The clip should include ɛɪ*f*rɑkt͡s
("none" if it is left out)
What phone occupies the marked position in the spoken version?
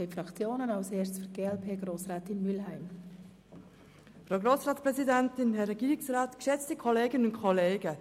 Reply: f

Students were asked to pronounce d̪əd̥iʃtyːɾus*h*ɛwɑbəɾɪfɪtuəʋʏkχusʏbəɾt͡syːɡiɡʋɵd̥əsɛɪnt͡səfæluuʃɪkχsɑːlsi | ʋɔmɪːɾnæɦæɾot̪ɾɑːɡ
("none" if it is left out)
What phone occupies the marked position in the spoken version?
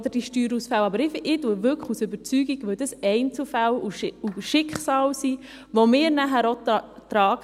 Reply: f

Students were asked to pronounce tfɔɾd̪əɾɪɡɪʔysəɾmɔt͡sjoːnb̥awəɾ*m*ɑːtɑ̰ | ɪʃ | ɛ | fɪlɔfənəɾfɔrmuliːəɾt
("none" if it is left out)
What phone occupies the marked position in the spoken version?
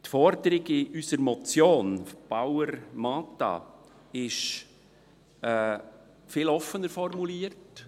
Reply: m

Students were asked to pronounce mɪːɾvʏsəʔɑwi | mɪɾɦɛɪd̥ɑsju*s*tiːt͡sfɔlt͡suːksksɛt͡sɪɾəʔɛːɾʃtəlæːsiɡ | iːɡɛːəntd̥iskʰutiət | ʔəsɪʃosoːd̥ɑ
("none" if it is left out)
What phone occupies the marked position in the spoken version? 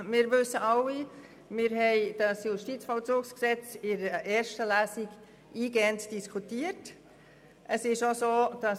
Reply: ʃ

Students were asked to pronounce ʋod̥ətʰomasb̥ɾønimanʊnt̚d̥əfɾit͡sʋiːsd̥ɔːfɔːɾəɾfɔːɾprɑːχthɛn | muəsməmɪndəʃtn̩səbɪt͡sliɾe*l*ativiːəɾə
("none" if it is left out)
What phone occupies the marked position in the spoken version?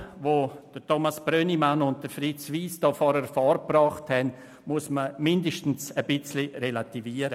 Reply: l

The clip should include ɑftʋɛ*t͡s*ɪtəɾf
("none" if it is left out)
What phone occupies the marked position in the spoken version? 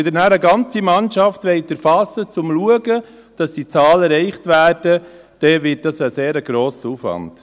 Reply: none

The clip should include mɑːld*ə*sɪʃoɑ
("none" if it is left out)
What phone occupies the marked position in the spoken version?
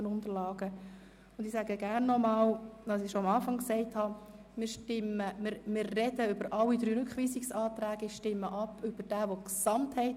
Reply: ɑ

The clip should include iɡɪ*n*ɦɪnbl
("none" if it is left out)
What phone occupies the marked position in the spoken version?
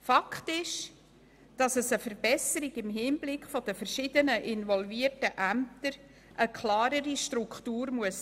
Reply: m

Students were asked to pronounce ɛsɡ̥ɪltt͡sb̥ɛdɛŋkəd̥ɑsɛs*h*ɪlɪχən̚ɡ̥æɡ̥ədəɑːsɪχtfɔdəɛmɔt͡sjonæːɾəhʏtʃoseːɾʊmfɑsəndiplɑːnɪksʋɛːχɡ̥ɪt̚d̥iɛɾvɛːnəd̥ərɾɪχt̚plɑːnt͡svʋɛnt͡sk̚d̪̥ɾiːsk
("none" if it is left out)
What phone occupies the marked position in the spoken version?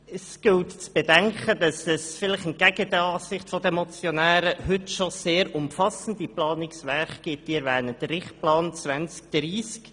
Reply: f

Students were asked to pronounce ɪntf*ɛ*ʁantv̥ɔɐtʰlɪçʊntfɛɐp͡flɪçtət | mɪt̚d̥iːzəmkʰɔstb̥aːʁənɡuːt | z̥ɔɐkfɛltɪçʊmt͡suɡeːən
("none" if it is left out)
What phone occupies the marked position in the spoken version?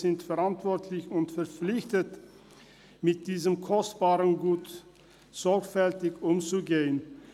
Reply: ɛ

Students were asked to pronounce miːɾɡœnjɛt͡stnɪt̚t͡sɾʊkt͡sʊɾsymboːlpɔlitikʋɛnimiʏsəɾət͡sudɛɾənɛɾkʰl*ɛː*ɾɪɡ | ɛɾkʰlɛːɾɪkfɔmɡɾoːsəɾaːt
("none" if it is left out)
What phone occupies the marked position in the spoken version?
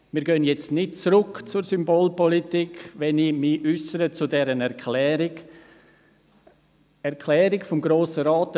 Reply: ɛː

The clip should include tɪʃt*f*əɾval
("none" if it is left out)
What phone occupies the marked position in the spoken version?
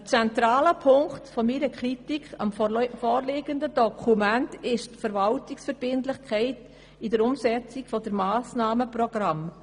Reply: f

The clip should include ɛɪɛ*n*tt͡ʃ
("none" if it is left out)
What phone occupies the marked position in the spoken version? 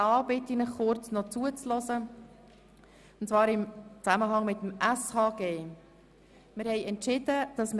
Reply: n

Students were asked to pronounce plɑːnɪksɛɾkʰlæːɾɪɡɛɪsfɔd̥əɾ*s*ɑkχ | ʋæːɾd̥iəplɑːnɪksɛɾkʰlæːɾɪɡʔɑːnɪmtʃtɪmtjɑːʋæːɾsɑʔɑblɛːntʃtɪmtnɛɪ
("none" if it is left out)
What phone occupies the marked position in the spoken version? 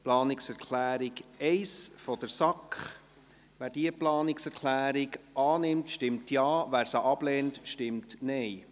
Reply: s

